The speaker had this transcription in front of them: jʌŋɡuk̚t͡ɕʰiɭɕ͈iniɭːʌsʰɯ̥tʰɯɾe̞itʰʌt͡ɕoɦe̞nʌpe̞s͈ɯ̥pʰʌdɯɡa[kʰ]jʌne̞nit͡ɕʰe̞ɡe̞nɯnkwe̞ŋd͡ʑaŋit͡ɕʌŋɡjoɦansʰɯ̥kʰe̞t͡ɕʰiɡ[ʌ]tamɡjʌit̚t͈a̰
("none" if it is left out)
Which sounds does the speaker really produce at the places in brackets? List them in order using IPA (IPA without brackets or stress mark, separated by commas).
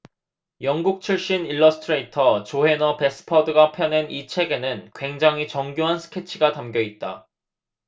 pʰ, a